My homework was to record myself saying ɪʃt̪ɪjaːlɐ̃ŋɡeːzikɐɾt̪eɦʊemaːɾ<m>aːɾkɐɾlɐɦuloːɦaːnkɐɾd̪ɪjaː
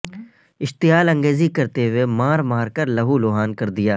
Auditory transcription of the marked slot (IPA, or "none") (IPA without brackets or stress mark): m